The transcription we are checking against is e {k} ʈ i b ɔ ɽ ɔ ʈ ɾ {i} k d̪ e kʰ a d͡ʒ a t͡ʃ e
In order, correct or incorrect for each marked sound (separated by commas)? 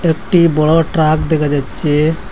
correct, incorrect